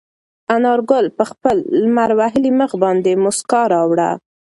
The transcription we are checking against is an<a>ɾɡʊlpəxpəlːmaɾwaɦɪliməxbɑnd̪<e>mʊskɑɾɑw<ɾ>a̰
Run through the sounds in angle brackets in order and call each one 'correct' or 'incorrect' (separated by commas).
incorrect, correct, incorrect